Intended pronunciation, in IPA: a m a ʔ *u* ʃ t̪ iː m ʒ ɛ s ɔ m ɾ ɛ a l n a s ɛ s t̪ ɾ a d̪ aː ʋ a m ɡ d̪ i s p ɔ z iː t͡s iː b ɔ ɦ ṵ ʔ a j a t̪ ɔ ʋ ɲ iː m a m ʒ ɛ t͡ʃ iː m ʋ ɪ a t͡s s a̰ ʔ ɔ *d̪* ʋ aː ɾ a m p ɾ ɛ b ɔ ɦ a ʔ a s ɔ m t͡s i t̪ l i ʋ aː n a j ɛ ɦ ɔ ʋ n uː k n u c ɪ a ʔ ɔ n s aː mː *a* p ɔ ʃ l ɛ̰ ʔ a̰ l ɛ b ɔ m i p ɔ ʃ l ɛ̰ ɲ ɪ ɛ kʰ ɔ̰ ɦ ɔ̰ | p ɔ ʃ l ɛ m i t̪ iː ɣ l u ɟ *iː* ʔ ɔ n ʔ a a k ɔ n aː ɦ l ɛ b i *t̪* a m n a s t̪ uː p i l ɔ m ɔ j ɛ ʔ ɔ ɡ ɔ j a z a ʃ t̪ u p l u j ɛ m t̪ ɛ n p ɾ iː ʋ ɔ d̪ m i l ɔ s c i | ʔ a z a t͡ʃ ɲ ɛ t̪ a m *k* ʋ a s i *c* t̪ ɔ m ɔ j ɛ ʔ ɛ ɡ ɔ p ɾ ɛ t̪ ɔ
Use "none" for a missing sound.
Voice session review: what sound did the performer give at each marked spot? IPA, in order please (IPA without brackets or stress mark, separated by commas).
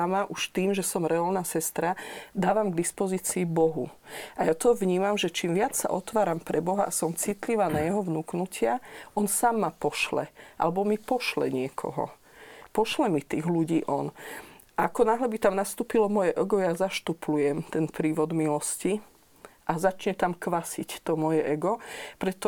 u, t̪, a, iː, t̪, k, c